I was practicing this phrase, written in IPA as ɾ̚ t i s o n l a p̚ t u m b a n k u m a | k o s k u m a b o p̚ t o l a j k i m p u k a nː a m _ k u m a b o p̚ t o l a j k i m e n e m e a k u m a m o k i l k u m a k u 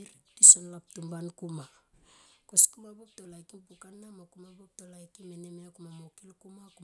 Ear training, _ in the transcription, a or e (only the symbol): a